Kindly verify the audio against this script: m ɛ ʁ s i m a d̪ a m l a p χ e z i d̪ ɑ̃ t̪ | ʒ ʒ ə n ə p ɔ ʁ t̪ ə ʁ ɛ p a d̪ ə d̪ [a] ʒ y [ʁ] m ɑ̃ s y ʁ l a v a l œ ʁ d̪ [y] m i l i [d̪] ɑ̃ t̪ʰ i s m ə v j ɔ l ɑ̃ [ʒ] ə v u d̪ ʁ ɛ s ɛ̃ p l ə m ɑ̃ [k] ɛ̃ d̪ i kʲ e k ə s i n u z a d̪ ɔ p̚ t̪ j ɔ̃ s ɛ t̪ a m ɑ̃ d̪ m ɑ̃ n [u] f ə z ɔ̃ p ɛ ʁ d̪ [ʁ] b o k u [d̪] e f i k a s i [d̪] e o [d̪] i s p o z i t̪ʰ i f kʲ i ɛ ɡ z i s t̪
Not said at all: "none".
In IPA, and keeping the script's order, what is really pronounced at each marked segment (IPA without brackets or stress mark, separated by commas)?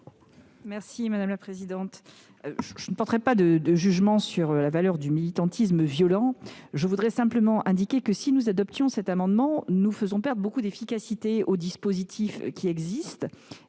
ə, ʒ, y, t̪, ʒ, ʔ, u, ʁ, d̪, t̪, d̪